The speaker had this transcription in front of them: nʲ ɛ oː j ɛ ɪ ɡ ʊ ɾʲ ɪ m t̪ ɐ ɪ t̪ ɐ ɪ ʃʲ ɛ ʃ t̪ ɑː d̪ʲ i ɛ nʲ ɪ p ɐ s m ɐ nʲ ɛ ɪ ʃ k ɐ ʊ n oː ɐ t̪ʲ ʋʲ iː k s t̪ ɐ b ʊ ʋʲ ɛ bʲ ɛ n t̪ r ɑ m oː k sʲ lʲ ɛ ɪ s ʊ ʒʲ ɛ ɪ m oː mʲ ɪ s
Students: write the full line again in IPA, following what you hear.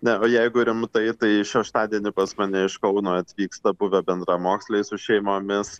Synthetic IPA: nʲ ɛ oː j ɛ ɪ ɡ ʊ ɾʲ ɪ m t̪ ɐ ɪ t̪ ɐ ɪ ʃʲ ɛ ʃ t̪ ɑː d̪ʲ i ɛ nʲ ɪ p ɐ s m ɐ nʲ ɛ ɪ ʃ k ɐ ʊ n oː ɐ t̪ʲ ʋʲ iː k s t̪ ɐ b ʊ ʋʲ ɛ bʲ ɛ n d̪ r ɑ m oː k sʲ lʲ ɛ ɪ s ʊ ʃʲ ɛ ɪ m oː mʲ ɪ s